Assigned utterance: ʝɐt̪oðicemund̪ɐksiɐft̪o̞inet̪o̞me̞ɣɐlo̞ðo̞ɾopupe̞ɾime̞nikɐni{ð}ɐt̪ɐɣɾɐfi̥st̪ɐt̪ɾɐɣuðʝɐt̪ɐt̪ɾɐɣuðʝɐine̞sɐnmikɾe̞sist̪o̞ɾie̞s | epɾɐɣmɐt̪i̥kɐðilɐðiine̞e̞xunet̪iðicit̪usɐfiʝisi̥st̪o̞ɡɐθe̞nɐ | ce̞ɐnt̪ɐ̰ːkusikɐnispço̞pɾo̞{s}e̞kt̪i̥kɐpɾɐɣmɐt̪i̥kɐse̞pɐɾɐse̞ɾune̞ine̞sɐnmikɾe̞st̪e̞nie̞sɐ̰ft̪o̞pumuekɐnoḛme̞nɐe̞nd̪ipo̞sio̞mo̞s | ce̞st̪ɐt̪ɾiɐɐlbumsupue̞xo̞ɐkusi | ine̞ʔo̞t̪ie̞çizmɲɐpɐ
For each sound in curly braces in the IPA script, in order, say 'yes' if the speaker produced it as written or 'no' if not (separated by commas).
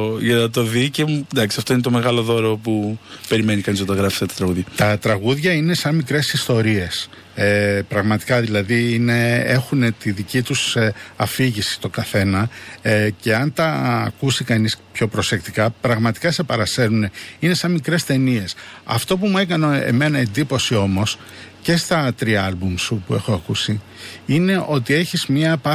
no, yes